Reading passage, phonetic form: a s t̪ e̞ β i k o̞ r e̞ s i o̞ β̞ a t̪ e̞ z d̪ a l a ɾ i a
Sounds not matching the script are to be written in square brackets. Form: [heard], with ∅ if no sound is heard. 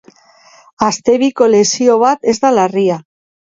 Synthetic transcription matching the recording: a s t̪ e̞ β i k o̞ [l] e̞ s i o̞ β̞ a t̪ e̞ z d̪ a l a [r] i a